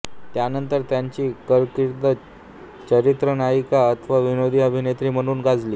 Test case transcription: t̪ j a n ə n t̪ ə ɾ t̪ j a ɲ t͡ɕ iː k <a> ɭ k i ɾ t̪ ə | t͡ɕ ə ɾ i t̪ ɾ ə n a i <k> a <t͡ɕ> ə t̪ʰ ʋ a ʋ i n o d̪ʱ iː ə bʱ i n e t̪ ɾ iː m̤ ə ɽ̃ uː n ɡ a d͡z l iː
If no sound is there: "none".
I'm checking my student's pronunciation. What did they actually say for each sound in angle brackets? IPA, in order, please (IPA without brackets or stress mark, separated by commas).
ə, k, none